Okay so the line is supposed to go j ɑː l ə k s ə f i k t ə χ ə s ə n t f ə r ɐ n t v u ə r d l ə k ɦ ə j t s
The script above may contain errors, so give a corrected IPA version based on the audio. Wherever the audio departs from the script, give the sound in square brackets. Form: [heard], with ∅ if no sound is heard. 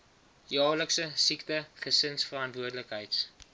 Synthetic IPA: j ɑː l ə k s ə [s] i k t ə χ ə s ə n [s] f ə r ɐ n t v u ə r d l ə k ɦ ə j t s